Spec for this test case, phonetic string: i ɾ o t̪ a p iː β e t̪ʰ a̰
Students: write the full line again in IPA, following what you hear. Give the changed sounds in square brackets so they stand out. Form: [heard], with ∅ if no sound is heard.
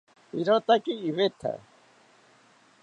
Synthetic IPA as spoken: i ɾ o t̪ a [k] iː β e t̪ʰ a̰